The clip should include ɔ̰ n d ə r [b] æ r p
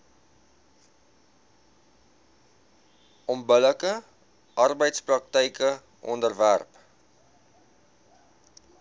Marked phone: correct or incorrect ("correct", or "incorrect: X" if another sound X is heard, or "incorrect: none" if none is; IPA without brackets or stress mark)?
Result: incorrect: v